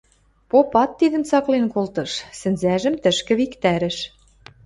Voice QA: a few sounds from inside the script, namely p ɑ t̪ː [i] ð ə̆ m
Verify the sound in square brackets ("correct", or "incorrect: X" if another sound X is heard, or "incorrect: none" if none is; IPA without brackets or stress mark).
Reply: correct